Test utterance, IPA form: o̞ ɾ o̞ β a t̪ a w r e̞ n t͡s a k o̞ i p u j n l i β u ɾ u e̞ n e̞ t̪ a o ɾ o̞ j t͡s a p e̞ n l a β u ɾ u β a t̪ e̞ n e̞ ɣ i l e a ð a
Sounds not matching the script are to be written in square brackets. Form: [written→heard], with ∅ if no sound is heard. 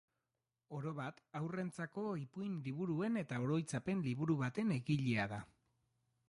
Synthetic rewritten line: o̞ ɾ o̞ β a t̪ a w r e̞ n t͡s a k o̞ i p u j n l i β u ɾ u e̞ n e̞ t̪ a o ɾ o̞ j t͡s a p e̞ n l [a→i] β u ɾ u β a t̪ e̞ n e̞ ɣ i [l→ʎ] e a ð a